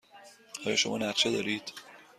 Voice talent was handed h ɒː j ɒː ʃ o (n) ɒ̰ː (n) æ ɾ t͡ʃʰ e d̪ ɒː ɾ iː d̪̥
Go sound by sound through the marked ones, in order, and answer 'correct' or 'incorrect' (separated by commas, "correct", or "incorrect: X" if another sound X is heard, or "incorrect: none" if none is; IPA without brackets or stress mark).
incorrect: m, correct